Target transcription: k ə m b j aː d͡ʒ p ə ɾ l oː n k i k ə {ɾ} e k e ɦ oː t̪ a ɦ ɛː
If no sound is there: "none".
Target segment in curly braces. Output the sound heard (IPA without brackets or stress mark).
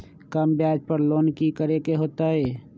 ɾ